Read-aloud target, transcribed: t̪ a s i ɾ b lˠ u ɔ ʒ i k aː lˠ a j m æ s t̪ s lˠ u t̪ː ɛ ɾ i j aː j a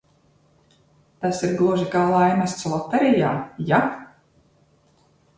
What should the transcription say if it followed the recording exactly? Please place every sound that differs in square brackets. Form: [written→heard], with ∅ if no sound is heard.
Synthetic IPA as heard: t̪ a s i ɾ [b→ɡ] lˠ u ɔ ʒ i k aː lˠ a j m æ s t̪ s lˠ [u→ɔ] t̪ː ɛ ɾ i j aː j a